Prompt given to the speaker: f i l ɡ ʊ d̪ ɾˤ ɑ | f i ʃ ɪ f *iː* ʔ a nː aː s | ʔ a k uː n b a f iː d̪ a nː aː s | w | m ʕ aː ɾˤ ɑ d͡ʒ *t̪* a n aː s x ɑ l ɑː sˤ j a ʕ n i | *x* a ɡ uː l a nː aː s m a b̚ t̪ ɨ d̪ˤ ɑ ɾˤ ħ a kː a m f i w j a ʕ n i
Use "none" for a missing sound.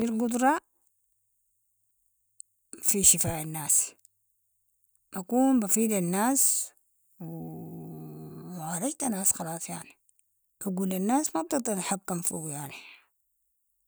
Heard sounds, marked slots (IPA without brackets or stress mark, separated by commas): aː, t̪, k